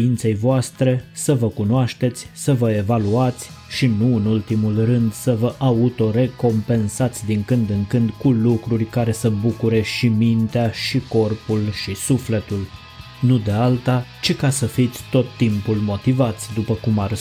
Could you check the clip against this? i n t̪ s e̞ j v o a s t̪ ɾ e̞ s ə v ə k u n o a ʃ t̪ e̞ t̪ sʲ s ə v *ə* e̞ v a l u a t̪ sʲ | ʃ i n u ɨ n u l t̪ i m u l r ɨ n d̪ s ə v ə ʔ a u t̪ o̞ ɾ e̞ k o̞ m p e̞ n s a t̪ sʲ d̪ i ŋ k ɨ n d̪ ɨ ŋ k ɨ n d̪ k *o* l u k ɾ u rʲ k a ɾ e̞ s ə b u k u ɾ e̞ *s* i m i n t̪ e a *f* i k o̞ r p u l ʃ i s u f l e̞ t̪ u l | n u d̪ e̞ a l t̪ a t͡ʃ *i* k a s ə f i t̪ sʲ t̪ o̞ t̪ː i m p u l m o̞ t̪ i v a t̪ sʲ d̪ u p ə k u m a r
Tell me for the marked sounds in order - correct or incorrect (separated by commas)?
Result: correct, incorrect, incorrect, incorrect, correct